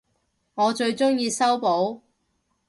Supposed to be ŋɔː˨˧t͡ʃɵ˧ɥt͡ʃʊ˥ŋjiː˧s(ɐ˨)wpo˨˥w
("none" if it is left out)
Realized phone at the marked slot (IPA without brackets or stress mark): ɐ˥